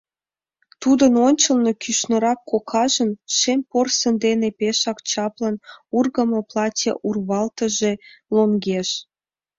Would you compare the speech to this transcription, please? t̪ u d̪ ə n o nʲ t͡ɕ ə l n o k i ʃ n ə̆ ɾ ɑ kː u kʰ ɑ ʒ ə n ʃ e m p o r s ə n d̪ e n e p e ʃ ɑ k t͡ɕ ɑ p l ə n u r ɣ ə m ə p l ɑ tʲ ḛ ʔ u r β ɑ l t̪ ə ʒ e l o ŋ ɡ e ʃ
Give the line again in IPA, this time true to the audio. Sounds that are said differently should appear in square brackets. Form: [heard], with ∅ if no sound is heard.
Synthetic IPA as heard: t̪ u d̪ ə n o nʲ t͡ɕ ə l n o k [y] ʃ n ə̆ ɾ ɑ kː [o] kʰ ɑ ʒ ə n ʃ e m p o r s ə n d̪ e n e p e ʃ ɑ k t͡ɕ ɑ p l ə n u r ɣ ə m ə p l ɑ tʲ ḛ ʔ u r β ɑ l t̪ ə ʒ e l o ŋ ɡ e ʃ